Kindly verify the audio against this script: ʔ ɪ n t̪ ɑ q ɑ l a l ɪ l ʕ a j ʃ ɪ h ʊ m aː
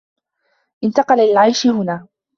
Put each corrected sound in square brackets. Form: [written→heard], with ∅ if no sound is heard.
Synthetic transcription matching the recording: ʔ ɪ n t̪ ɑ q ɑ l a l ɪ l ʕ a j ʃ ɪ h ʊ [m→n] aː